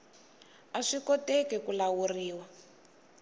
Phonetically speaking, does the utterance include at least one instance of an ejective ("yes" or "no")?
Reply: no